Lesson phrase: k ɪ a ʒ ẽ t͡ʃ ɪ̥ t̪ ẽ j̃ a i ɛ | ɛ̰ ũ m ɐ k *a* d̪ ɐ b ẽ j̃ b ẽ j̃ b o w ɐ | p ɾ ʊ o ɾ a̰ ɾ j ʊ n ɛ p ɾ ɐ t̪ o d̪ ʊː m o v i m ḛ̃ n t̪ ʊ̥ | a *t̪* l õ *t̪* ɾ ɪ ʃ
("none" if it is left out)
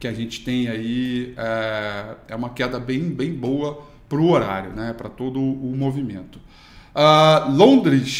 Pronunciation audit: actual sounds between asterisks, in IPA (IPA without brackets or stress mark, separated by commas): ɛ, none, d̪